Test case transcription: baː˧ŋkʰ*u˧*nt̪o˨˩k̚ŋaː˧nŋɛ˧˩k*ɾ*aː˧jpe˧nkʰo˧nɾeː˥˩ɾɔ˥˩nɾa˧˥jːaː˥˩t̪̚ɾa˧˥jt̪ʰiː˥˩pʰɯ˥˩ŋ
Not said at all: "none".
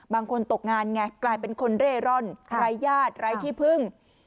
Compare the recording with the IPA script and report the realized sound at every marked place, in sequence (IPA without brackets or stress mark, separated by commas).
o˧, l